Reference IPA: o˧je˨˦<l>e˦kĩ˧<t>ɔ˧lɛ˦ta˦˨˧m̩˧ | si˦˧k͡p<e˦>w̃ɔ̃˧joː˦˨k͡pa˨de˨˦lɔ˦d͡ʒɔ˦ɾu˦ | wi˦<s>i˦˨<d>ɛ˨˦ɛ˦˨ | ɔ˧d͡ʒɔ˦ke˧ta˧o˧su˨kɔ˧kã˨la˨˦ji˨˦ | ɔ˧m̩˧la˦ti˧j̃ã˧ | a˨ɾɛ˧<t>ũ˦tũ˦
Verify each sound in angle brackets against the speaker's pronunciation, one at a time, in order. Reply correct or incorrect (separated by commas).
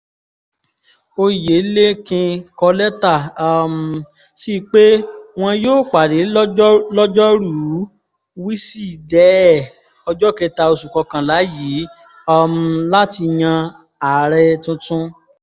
correct, incorrect, correct, correct, correct, correct